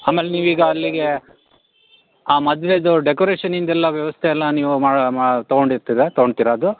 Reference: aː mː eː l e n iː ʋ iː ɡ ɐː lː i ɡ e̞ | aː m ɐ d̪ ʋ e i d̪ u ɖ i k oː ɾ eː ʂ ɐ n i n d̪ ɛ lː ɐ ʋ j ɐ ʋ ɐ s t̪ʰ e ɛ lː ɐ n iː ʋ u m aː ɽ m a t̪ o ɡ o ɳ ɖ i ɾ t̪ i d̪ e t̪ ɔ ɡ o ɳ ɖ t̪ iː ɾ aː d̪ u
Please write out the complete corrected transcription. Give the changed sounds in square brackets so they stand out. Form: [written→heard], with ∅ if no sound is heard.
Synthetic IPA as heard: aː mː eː l e n iː ʋ iː ɡ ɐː lː i ɡ e̞ | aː m ɐ d̪ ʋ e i d̪ u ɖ [i→e] k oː ɾ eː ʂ ɐ n i n d̪ ɛ lː ɐ ʋ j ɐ ʋ ɐ s t̪ʰ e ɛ lː ɐ n iː ʋ u m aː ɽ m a t̪ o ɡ o ɳ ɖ i ɾ t̪ i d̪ e t̪ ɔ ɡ o ɳ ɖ t̪ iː ɾ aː d̪ u